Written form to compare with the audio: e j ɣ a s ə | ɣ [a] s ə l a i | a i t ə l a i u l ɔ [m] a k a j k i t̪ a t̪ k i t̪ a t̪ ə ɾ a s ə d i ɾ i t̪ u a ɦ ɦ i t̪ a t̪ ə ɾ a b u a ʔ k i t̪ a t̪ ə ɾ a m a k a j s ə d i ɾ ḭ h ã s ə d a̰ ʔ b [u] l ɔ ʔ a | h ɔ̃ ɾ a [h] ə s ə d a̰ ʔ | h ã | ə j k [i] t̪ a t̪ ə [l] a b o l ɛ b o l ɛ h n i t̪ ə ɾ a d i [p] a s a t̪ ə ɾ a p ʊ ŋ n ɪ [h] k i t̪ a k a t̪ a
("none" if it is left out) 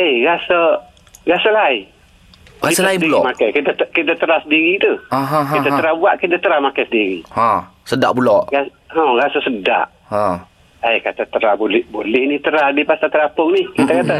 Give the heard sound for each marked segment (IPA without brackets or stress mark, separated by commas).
a, m, u, s, a, ɾ, p, h